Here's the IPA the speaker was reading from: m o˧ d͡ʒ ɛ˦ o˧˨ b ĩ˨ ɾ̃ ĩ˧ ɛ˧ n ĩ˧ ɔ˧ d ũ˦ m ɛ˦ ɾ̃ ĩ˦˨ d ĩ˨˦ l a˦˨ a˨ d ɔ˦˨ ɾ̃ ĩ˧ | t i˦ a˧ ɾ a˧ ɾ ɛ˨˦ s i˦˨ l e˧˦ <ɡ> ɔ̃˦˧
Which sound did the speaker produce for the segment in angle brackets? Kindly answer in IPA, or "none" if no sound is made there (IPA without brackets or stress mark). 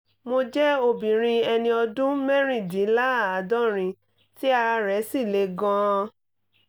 ɡ